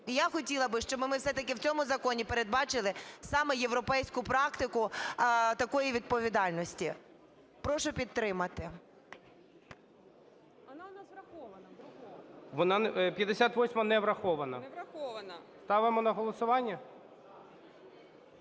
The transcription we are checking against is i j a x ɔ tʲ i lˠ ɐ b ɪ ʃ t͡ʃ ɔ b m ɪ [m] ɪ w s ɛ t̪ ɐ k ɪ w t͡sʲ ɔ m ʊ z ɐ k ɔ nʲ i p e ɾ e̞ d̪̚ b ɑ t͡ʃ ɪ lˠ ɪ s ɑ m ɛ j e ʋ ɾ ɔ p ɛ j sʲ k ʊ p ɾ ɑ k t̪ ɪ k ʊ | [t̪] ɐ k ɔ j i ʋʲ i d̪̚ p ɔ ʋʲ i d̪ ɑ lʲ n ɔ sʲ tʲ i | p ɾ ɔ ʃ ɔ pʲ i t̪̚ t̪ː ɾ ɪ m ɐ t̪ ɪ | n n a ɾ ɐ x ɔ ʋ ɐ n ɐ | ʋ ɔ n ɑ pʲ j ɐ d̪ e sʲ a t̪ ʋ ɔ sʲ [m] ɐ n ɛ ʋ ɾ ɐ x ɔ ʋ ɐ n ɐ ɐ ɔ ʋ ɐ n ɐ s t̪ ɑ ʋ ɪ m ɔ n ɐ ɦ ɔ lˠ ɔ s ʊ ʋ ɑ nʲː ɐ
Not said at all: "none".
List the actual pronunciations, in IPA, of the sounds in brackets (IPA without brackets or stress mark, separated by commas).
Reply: m, t̪, m